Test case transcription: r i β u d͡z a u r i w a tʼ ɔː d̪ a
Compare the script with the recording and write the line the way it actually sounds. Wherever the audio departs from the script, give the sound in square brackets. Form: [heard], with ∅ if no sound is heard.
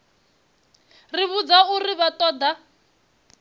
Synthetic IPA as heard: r i β u d͡z a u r i [β] a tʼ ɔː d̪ a